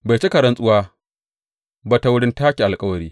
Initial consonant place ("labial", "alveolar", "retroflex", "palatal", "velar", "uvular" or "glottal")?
labial